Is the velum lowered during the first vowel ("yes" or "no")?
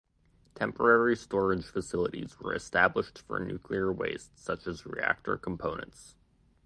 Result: yes